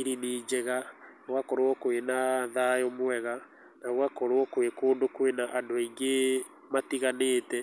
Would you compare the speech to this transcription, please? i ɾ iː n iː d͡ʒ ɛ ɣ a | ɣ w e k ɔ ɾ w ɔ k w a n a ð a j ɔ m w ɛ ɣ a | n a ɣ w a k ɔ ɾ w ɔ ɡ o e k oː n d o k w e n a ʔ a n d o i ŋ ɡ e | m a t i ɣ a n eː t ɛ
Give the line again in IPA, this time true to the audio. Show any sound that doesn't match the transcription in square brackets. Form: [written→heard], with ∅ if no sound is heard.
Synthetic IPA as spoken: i ɾ [iː→i] n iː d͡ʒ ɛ ɣ a | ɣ w [e→a] k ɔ ɾ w ɔ k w [a→e] n a ð a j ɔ m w ɛ ɣ a | n a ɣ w a k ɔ ɾ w ɔ [ɡ→k] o e k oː n d o k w e n a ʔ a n d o i ŋ ɡ e | m a t i ɣ a n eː t ɛ